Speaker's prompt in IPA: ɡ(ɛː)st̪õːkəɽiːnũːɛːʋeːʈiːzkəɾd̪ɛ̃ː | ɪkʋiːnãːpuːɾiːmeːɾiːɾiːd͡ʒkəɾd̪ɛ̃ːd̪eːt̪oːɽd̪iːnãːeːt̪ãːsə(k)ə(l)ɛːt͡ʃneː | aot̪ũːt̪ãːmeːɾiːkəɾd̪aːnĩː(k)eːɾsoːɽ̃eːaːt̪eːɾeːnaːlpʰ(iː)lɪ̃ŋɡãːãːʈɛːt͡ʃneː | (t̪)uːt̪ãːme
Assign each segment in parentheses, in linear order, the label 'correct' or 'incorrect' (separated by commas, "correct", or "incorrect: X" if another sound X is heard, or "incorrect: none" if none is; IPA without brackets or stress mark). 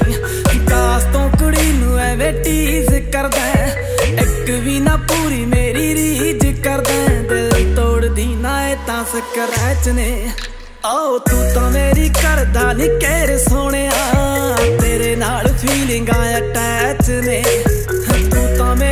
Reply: incorrect: aː, correct, incorrect: ɾ, correct, correct, correct